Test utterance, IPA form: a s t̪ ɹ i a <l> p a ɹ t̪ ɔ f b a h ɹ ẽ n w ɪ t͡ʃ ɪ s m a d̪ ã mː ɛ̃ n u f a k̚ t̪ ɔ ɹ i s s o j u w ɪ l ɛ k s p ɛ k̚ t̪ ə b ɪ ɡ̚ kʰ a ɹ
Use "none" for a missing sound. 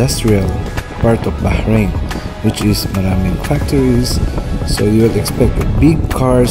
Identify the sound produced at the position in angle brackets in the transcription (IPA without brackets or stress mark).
l